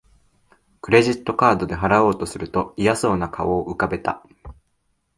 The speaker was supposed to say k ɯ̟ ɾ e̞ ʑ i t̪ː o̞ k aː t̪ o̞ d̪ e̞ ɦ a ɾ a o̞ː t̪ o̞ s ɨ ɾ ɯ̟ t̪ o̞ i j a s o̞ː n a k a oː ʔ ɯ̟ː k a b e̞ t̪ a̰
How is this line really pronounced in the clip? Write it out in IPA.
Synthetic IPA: k ɯ̟ ɾ e̞ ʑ i t̪ː o̞ k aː d̪ o̞ d̪ e̞ ɦ a ɾ a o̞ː t̪ o̞ s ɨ ɾ ɯ̟ t̪ o̞ i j a s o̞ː n a k a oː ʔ ɯ̟ k a b e̞ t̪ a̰